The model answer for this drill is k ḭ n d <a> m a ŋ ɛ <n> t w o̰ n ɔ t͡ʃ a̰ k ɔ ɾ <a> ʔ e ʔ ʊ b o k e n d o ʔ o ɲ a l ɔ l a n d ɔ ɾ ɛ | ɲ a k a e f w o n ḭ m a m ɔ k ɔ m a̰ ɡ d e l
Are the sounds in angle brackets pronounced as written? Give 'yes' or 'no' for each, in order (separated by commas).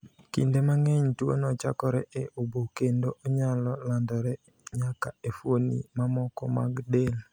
no, no, no